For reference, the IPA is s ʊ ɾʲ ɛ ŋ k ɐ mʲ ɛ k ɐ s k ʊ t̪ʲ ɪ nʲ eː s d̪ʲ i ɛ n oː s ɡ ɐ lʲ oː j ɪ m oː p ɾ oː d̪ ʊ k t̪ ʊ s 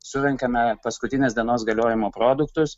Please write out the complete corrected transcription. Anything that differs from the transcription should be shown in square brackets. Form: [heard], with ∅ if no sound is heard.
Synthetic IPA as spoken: s ʊ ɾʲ ɛ ŋ k ɐ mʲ ɛ [p] ɐ s k ʊ t̪ʲ ɪ nʲ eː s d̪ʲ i ɛ n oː s ɡ ɐ lʲ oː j ɪ m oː p ɾ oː d̪ ʊ k t̪ ʊ s